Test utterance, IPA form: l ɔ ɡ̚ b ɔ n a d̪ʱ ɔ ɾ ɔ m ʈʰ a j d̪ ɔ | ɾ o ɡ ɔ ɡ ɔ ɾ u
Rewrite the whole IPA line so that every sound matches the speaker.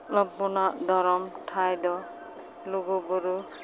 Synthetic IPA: l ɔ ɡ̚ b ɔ n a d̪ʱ ɔ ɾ ɔ m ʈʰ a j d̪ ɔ | l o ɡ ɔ b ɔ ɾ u